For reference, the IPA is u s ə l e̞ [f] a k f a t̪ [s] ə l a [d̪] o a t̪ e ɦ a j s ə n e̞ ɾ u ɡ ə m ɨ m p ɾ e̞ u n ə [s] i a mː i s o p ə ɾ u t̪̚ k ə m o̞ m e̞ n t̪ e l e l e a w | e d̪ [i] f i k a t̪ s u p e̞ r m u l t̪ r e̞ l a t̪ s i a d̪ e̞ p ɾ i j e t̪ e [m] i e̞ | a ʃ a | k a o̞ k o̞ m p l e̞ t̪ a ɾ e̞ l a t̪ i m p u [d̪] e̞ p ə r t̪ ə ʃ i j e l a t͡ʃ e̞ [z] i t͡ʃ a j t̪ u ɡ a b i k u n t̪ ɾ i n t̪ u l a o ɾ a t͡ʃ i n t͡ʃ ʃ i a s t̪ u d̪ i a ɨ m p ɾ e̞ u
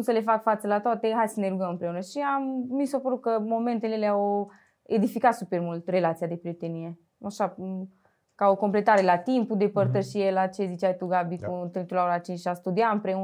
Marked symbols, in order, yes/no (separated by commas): yes, yes, no, no, yes, no, yes, yes